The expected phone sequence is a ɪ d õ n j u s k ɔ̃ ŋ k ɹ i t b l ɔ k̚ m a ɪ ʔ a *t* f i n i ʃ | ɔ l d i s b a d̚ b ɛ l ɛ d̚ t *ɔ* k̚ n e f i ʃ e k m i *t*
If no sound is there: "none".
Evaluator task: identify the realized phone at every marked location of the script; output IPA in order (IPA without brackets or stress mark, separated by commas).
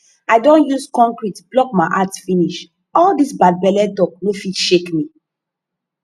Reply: t, ɔ, none